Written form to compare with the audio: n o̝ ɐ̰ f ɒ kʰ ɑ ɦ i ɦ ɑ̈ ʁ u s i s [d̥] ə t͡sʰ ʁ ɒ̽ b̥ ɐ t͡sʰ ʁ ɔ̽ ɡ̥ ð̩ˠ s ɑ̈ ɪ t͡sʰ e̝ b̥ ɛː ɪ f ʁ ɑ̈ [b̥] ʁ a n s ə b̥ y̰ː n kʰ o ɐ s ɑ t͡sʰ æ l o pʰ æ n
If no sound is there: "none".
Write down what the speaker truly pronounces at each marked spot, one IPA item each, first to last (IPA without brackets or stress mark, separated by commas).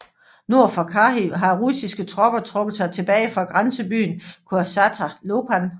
ɡ̥, ɡ̥